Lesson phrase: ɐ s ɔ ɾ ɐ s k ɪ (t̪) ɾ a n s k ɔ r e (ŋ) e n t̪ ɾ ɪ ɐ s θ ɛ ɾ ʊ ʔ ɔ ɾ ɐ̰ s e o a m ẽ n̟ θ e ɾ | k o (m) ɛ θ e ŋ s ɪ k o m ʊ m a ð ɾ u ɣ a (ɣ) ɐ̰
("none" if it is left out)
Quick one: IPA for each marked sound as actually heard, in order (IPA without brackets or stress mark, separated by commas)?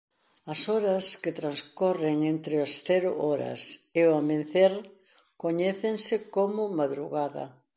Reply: t̪, ŋ, ɲ, ð